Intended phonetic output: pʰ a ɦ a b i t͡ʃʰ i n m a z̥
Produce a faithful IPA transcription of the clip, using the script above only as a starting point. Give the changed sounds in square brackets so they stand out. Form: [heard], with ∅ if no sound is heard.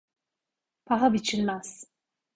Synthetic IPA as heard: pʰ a ɦ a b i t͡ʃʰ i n m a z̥